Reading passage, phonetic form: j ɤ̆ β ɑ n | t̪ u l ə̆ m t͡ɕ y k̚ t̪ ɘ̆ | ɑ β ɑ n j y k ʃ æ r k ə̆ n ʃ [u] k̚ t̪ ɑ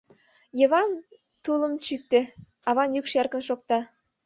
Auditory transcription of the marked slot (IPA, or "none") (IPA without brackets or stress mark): o